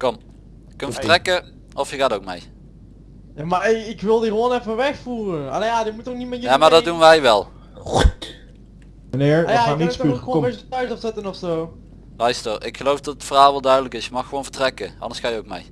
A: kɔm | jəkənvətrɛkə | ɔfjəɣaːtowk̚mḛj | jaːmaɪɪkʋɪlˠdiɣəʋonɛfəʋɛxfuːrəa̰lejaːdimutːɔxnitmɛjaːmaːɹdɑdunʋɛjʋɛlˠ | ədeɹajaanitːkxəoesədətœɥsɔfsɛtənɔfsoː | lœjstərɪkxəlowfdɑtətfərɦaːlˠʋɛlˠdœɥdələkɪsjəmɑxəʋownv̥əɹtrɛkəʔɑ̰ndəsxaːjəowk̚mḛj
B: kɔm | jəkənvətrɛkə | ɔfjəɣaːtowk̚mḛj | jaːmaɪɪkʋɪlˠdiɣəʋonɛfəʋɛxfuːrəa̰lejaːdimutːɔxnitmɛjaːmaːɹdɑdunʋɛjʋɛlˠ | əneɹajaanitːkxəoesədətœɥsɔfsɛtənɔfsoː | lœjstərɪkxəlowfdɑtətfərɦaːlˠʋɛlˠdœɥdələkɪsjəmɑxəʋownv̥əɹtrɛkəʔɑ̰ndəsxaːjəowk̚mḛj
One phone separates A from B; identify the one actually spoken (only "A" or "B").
B